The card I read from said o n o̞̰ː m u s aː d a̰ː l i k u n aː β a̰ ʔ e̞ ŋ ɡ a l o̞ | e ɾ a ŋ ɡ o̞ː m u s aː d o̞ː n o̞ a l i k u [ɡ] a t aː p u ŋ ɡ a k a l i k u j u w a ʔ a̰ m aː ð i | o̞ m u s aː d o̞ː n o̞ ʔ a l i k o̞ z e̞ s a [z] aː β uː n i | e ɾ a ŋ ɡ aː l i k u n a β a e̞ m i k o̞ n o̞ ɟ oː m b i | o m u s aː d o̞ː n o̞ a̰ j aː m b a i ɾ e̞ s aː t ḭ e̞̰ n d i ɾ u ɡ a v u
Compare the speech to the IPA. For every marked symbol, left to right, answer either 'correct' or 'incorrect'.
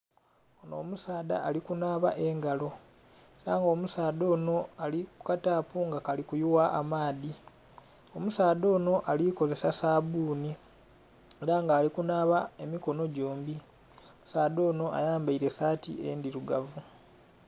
incorrect, incorrect

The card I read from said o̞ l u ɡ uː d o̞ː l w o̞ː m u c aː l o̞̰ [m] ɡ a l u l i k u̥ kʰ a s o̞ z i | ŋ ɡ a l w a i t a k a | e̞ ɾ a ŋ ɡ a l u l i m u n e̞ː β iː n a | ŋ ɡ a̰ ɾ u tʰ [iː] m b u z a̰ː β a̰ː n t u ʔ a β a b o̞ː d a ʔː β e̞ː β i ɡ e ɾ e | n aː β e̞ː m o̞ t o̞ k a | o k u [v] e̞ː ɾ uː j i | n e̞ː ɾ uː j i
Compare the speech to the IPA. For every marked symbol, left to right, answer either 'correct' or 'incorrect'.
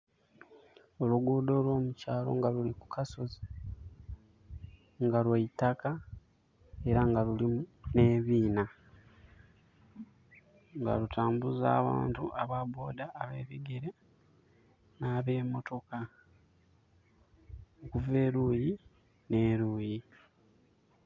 incorrect, incorrect, correct

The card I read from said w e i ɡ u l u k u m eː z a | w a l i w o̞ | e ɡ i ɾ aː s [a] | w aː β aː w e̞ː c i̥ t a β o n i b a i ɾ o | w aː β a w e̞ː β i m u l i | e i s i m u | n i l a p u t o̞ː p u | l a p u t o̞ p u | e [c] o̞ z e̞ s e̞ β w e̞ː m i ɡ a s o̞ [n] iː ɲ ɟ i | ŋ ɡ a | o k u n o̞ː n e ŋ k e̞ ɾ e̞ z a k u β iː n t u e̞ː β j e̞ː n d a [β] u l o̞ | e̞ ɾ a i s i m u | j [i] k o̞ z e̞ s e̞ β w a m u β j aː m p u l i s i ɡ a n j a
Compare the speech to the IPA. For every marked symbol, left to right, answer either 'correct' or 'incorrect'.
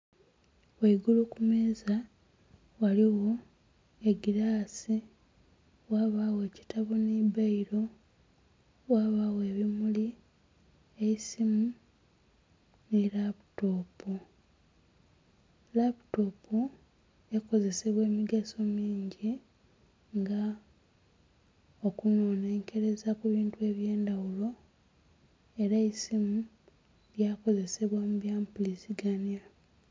incorrect, incorrect, incorrect, incorrect, incorrect

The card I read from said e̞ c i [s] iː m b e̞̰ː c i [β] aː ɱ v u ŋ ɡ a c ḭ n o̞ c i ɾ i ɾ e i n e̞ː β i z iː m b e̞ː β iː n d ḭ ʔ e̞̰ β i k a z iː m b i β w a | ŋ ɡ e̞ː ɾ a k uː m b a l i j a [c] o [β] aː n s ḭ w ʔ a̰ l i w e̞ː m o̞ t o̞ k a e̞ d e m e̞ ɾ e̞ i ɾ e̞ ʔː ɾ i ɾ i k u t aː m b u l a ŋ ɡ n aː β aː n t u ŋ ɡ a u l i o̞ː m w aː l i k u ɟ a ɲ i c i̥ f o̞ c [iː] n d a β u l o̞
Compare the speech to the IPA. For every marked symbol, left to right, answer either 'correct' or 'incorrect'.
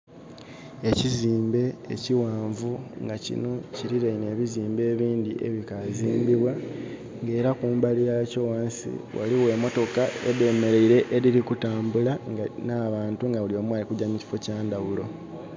incorrect, incorrect, correct, incorrect, incorrect

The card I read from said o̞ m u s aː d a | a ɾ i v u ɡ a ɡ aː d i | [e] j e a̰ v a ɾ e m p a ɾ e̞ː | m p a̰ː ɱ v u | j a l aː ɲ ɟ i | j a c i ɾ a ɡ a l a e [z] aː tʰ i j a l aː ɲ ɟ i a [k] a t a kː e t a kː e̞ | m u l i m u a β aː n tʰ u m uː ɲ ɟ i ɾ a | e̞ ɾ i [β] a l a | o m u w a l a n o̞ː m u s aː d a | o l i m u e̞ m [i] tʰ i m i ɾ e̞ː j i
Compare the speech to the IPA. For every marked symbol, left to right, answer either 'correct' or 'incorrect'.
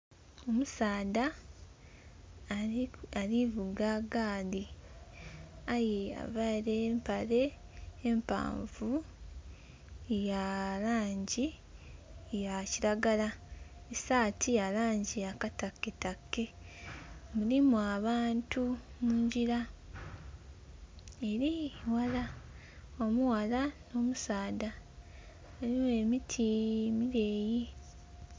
incorrect, incorrect, correct, incorrect, correct

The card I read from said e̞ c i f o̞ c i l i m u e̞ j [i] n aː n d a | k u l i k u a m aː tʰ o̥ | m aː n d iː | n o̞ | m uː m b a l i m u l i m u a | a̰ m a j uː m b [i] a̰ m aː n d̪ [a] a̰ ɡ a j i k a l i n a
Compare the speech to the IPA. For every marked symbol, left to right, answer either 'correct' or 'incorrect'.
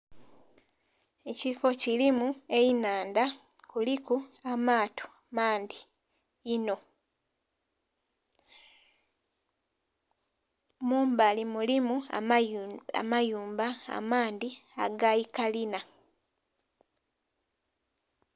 correct, incorrect, incorrect

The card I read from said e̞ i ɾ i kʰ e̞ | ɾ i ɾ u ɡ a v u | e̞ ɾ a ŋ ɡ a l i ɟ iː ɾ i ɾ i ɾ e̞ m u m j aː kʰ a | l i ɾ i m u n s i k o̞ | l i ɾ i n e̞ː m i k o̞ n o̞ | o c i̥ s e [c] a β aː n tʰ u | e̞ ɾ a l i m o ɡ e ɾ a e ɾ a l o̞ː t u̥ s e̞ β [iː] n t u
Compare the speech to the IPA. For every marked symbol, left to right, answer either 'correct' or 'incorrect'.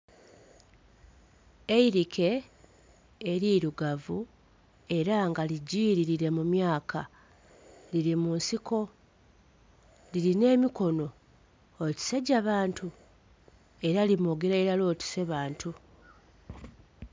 incorrect, incorrect

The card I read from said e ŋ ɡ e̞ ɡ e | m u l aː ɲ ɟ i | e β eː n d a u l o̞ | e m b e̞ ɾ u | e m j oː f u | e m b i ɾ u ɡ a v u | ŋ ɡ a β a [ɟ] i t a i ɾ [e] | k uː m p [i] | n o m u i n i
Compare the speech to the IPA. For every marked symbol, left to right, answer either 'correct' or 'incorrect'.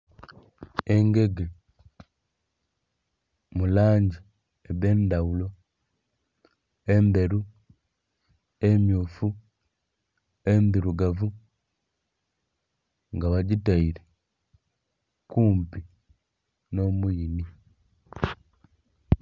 correct, correct, correct

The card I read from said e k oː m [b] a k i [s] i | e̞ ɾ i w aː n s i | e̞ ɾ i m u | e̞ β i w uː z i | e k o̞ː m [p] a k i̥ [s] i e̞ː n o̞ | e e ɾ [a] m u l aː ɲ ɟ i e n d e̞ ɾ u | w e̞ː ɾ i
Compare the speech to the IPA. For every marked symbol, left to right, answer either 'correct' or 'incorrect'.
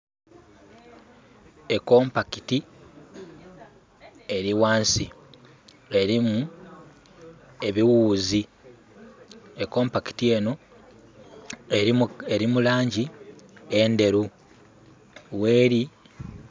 incorrect, incorrect, correct, incorrect, incorrect

